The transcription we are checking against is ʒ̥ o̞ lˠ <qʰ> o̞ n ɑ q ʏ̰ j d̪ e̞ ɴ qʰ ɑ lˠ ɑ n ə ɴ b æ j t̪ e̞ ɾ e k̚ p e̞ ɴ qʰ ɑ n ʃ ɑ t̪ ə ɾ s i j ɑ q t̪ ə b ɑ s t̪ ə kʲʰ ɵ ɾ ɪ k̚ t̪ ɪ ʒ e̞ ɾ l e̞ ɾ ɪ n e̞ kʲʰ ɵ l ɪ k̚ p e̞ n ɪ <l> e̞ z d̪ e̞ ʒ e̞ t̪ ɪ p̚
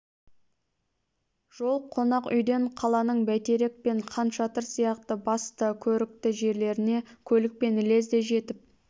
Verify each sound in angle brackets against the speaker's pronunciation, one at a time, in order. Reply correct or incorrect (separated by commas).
correct, correct